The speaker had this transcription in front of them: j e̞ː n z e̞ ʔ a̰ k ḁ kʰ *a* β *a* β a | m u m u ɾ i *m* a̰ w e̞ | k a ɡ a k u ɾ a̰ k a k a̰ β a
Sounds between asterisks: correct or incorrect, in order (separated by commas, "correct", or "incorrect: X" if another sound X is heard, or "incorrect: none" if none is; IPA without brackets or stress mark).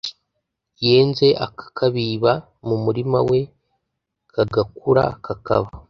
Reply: correct, incorrect: i, correct